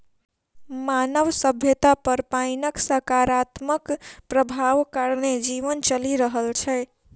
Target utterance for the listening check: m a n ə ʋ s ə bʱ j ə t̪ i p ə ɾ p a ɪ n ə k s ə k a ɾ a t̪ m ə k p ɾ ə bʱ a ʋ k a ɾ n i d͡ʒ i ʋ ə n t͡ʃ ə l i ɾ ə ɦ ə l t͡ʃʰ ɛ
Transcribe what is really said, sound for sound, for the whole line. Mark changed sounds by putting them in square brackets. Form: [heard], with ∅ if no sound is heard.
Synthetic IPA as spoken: m a n ə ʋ s ə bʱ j ə t̪ [a] p ə ɾ p a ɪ n ə k s ə k a ɾ a t̪ m ə k p ɾ ə bʱ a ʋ k a ɾ n [e] d͡ʒ i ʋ ə n t͡ʃ ə l i ɾ ə ɦ ə l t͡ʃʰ ɛ

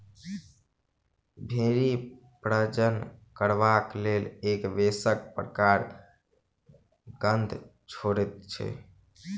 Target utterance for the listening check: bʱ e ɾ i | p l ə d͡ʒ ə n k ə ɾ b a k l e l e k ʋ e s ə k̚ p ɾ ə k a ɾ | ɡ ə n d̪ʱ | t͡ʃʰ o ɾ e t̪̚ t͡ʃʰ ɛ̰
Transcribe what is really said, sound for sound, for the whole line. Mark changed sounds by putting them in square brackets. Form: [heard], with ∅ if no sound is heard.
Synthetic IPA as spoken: bʱ e ɾ i | p [ɾ] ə d͡ʒ ə n k ə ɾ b a k l e l e k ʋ e s ə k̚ p ɾ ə k a ɾ | ɡ ə n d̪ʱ | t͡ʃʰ o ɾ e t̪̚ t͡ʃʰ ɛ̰

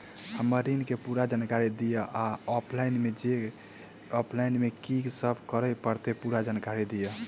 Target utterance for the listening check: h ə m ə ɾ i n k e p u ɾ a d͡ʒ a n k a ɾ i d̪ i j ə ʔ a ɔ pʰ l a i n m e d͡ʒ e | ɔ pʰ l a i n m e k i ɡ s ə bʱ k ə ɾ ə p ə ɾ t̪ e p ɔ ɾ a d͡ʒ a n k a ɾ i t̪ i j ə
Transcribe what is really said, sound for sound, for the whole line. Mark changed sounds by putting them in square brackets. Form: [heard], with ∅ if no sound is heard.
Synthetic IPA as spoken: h ə m ə ɾ i n k e p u ɾ a d͡ʒ a n k a ɾ i d̪ i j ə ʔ a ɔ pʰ l a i n m e d͡ʒ e | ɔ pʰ l a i n m e k i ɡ s ə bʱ k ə ɾ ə p ə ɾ t̪ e p [u] ɾ a d͡ʒ a n k a ɾ i [d̪] i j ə

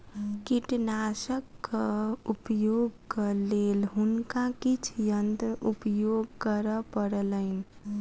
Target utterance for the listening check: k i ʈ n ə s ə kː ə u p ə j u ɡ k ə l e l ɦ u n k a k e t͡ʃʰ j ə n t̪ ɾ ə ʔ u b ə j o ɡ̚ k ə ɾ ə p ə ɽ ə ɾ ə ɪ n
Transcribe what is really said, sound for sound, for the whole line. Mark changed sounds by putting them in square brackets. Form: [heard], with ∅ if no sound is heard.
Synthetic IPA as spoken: k i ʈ n [a] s ə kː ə u p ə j [o] ɡ k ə l e l ɦ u n k a k [i] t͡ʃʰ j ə n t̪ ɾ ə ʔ u [p] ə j o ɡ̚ k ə ɾ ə p ə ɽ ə [l] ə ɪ n

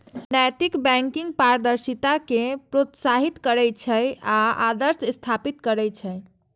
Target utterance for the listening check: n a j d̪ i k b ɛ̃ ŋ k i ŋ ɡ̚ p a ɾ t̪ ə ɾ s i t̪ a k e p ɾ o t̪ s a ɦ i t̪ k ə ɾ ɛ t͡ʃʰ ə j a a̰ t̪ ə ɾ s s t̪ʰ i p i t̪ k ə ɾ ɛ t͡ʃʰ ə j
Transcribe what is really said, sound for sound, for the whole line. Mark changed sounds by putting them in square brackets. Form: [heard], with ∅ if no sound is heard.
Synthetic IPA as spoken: n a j [t̪] i k b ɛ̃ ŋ k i ŋ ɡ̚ p a ɾ [d̪] ə ɾ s i t̪ a k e p ɾ o t̪ s a ɦ i t̪ k ə ɾ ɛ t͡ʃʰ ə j a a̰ [d̪] ə ɾ s s t̪ʰ [a] p i t̪ k ə ɾ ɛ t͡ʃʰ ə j

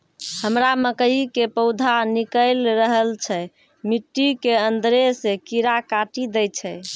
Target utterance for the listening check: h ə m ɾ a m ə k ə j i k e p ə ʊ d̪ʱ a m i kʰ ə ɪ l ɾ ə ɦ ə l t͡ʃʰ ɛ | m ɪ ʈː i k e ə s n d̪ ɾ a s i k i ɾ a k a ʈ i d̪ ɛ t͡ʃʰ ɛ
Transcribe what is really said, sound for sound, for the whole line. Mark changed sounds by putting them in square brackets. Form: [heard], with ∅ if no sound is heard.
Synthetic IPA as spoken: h ə m ɾ a m ə k ə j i k e p ə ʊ d̪ʱ a [n] i [k] ə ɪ l ɾ ə ɦ ə l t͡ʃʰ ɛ | m [i] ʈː i k e ə [∅] n d̪ ɾ [e] s [e] k i ɾ a k a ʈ i d̪ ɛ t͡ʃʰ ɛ

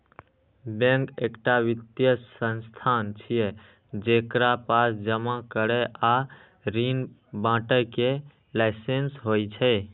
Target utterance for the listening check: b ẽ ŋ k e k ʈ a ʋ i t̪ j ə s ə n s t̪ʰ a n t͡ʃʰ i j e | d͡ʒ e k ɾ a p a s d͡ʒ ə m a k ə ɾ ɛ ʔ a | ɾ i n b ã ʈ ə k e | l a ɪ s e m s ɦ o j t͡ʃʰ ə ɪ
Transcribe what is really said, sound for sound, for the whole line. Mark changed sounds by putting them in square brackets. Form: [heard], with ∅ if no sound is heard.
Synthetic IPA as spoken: b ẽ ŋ k e k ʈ a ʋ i t̪ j ə s ə n s t̪ʰ a n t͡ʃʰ i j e | d͡ʒ e k ɾ a p a s d͡ʒ ə m a k ə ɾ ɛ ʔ a | ɾ i n b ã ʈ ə k e | l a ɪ s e [n] s ɦ o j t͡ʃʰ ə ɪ

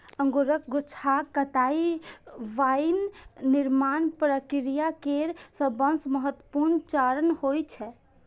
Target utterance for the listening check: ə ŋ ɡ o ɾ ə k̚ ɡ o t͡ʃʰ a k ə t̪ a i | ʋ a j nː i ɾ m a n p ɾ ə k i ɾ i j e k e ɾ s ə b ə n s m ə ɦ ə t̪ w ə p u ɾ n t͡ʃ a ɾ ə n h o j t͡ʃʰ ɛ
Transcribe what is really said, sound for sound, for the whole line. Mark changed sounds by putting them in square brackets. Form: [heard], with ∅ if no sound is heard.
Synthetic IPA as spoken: ə ŋ ɡ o ɾ ə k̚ ɡ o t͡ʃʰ a k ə t̪ a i | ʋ a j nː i ɾ m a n p ɾ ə k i ɾ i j [a] k e ɾ s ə b ə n s m ə ɦ ə t̪ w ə p u ɾ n t͡ʃ a ɾ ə n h o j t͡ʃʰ ɛ

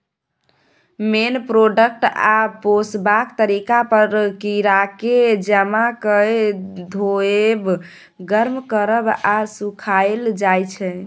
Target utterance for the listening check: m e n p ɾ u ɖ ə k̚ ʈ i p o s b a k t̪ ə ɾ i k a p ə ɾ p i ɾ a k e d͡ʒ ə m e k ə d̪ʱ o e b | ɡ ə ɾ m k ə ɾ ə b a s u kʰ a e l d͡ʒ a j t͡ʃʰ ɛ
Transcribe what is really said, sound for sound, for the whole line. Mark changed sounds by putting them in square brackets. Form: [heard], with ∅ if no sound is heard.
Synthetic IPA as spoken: m e n p ɾ [o] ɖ ə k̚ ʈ [a] p o s b a k t̪ ə ɾ i k a p ə ɾ [k] i ɾ a k e d͡ʒ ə m [a] k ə d̪ʱ o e b | ɡ ə ɾ m k ə ɾ ə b a s u kʰ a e l d͡ʒ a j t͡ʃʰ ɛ

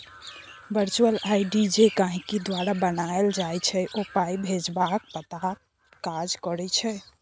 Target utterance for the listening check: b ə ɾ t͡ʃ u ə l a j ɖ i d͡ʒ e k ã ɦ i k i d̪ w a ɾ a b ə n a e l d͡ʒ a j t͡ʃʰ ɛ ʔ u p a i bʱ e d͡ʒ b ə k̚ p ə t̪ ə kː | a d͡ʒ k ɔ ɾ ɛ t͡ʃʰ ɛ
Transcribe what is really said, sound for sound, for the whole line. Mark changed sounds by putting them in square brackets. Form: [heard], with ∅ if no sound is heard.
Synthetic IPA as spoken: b ə ɾ t͡ʃ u ə l a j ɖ i d͡ʒ e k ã ɦ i k i d̪ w a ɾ a b ə n a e l d͡ʒ a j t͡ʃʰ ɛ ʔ [o] p a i bʱ e d͡ʒ b [a] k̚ p ə t̪ [a] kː | a d͡ʒ k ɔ ɾ ɛ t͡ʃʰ ɛ

